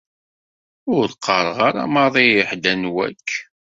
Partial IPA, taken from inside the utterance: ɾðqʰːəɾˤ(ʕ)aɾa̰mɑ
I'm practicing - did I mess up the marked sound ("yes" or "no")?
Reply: yes